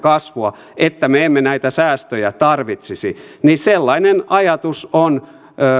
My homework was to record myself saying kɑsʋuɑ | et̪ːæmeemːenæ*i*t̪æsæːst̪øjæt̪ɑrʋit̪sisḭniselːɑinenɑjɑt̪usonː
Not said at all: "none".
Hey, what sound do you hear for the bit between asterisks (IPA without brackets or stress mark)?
i